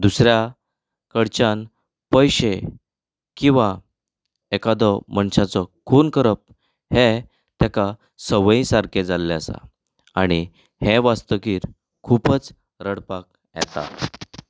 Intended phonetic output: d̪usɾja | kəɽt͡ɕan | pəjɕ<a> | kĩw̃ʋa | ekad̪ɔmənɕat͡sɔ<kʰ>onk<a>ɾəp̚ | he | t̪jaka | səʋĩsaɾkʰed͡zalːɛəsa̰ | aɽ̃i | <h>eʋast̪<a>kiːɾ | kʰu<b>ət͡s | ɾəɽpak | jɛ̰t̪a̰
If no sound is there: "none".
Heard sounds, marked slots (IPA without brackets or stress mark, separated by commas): e, kʰ, ə, h, ə, p